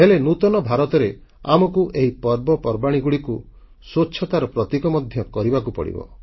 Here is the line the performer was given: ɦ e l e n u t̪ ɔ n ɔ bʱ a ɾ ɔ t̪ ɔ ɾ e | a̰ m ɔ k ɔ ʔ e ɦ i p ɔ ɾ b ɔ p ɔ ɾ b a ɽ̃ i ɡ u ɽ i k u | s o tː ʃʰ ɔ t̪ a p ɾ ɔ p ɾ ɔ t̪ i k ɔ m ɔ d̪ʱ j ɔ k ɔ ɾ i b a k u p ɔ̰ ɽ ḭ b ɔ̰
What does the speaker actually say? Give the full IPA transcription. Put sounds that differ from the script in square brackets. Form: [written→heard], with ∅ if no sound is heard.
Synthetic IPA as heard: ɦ e l e n u t̪ ɔ n ɔ bʱ a ɾ ɔ t̪ ɔ ɾ e | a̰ m ɔ k [ɔ→u] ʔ e ɦ i p ɔ ɾ b ɔ p ɔ ɾ b a ɽ̃ i ɡ u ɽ i k u | s o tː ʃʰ ɔ t̪ a [p→∅] ɾ ɔ p ɾ ɔ t̪ i k ɔ m ɔ d̪ʱ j ɔ k ɔ ɾ i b a k u p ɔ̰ ɽ ḭ b ɔ̰